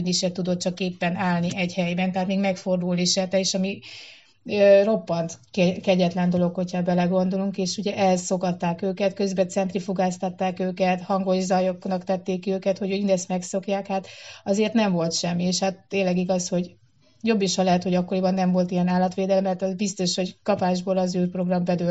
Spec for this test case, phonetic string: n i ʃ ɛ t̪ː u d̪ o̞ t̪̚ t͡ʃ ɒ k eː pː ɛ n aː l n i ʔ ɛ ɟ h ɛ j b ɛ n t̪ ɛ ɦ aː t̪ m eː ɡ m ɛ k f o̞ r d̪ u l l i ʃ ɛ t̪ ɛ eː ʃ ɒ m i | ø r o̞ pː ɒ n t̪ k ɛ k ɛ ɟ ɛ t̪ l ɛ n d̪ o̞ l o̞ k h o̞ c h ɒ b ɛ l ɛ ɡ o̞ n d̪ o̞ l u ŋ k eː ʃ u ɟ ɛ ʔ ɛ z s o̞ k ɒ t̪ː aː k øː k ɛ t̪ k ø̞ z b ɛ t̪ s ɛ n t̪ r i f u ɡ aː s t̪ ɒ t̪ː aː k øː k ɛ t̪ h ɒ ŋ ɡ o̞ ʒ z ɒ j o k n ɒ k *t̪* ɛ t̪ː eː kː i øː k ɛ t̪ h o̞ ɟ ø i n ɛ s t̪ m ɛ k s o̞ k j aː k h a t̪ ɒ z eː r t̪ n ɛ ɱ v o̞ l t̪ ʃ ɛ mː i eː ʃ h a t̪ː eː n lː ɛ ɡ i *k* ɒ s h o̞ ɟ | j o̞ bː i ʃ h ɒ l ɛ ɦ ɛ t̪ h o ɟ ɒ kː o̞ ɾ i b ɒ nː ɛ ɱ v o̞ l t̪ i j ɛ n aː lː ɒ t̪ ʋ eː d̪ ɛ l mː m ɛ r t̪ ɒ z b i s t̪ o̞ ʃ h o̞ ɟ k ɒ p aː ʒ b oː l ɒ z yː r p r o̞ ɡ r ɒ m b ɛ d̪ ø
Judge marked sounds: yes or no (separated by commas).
yes, no